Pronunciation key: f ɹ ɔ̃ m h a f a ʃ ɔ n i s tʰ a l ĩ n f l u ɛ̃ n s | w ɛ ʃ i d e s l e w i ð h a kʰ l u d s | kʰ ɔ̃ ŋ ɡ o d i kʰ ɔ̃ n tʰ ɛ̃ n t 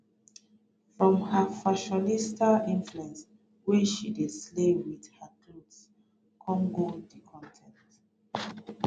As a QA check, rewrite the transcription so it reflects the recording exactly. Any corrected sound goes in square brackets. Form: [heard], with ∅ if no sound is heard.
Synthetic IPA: f ɹ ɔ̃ m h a f a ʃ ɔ n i s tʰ a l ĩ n f l u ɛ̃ n s | w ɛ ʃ i d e s l e w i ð h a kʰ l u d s | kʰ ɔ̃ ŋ ɡ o d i kʰ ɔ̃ n tʰ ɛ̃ n t